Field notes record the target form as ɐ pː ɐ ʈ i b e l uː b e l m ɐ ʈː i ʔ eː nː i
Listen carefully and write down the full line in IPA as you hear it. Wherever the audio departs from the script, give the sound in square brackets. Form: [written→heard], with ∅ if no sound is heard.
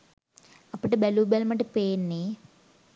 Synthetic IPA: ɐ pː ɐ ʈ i b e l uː b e l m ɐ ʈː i [ʔ→p] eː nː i